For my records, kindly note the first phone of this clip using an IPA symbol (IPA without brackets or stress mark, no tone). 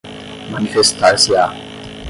m